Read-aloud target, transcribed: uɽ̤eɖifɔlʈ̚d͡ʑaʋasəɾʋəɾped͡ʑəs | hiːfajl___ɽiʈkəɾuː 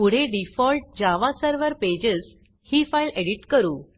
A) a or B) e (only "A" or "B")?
B